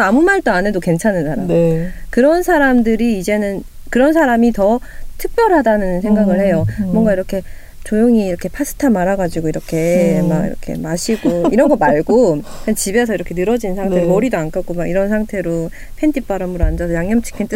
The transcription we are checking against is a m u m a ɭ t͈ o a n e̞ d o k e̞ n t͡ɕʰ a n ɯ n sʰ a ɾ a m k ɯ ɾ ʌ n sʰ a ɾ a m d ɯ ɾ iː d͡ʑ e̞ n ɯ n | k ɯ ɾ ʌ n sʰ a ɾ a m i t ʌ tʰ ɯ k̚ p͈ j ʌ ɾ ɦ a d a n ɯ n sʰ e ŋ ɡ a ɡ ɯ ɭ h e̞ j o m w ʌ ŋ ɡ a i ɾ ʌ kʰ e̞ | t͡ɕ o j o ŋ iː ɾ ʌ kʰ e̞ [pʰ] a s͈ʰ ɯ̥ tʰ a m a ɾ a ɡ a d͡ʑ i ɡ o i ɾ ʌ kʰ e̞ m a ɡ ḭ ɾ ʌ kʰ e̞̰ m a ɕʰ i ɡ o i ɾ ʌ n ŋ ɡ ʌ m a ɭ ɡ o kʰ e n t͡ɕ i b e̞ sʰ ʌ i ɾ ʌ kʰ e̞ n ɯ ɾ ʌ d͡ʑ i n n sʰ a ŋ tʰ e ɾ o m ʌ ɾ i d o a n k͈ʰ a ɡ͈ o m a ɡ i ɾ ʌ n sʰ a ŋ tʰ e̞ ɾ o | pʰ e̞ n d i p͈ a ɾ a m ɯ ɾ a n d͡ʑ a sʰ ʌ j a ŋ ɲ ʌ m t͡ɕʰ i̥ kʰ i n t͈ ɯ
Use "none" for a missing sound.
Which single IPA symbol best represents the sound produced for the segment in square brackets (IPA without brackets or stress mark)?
pʰ